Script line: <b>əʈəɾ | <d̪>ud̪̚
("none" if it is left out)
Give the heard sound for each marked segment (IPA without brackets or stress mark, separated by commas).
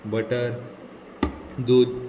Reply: b, d̪